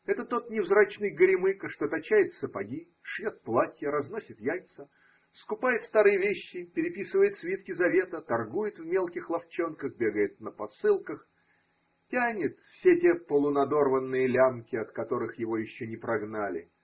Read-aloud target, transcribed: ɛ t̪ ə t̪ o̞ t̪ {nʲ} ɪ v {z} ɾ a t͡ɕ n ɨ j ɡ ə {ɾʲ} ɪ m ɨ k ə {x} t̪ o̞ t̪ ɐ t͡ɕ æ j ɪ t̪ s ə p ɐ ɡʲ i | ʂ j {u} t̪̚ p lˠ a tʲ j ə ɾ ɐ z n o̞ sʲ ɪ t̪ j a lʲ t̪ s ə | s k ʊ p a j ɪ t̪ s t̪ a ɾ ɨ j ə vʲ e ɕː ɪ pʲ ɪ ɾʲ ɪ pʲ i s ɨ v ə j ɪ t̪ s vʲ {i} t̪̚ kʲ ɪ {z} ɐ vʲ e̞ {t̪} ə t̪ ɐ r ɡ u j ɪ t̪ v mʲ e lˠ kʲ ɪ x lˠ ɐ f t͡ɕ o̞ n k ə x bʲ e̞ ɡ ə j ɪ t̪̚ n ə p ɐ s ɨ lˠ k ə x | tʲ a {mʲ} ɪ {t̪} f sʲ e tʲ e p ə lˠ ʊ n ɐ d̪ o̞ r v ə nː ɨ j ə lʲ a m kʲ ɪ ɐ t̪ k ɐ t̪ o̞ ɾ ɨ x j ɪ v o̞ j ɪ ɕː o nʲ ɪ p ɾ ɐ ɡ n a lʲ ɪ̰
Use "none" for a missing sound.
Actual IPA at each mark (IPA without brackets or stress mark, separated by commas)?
nʲ, z, ɾʲ, ʂ, o, i, z, t̪, nʲ, t̪